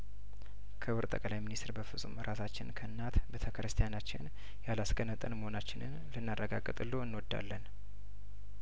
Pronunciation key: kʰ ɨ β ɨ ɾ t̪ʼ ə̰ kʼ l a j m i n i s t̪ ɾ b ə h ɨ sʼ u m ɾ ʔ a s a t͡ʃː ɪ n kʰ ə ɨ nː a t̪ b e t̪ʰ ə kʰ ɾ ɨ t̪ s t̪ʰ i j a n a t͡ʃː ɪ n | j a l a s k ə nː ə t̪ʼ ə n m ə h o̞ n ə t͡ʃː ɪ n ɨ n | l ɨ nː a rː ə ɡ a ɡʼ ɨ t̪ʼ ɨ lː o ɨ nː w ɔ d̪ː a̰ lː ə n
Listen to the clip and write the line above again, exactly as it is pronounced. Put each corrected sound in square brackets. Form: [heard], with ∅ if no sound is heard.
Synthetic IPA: kʰ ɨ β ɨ ɾ t̪ʼ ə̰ kʼ l a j m i n i s t̪ ɾ b ə [f] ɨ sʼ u m ɾ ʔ a s a t͡ʃː ɪ n kʰ ə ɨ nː a t̪ b e t̪ʰ ə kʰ ɾ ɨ [∅] s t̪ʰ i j a n a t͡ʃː ɪ n | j a l a s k ə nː ə t̪ʼ ə n m ə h o̞ n [a] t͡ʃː ɪ n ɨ n | l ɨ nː a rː ə ɡ a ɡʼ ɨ t̪ʼ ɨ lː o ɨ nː w ɔ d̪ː a̰ lː ə n